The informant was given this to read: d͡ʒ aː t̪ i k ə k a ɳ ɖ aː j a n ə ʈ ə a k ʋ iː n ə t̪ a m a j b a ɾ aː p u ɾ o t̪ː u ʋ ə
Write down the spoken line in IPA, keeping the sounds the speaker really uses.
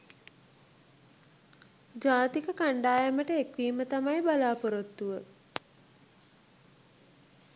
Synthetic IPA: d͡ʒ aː t̪ i k ə k a ɳ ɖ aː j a m ə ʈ ə e k ʋ iː m ə t̪ a m a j b a l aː p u ɾ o t̪ː u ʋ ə